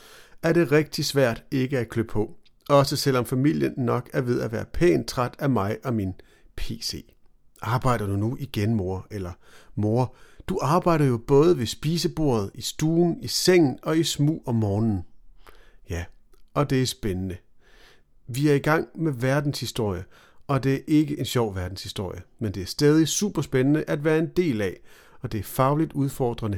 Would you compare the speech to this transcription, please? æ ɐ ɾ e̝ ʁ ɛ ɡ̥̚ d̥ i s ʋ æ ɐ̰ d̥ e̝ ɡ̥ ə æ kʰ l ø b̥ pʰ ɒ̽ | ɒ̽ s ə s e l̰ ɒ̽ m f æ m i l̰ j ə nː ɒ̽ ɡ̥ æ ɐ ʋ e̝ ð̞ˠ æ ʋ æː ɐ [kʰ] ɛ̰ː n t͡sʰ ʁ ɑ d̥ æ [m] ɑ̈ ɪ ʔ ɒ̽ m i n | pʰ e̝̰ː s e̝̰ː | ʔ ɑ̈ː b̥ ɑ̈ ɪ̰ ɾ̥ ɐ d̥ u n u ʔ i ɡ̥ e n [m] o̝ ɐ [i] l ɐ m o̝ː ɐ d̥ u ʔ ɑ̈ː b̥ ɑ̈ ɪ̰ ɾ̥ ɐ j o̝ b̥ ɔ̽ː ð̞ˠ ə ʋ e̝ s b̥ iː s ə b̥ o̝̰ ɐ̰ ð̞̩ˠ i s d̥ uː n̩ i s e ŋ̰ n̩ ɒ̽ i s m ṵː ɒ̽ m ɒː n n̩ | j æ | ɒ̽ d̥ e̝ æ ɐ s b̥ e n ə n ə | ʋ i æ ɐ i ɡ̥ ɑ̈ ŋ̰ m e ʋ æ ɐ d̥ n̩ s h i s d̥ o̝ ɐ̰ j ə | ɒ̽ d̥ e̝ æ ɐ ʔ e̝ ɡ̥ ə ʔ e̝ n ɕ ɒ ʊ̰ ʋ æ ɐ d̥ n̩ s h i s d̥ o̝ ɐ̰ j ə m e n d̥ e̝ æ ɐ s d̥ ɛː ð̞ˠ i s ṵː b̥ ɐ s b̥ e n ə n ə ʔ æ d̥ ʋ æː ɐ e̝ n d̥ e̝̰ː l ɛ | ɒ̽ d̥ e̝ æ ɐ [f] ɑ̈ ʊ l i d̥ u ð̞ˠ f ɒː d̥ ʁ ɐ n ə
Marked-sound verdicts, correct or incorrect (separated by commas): incorrect, correct, correct, incorrect, correct